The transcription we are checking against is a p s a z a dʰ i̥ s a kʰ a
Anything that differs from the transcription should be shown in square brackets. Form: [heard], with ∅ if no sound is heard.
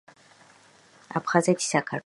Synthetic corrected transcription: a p [χ] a z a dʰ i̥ s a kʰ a